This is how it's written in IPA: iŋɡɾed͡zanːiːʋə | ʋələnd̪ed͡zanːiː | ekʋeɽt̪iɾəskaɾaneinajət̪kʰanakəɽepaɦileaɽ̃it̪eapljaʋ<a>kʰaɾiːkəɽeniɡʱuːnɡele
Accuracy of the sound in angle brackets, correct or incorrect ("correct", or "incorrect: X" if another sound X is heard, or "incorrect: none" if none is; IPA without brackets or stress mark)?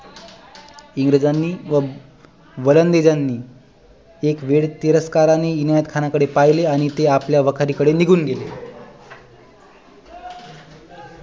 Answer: incorrect: ə